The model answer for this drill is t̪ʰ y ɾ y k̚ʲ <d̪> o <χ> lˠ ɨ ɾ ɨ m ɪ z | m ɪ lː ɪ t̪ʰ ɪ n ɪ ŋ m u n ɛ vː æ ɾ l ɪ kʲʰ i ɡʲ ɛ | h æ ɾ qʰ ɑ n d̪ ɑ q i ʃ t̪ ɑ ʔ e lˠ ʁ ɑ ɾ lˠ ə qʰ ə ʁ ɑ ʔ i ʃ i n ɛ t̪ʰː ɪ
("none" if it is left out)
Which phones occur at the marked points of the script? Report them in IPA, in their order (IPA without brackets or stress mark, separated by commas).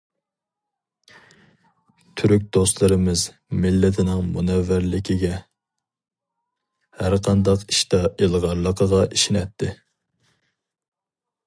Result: d̪, s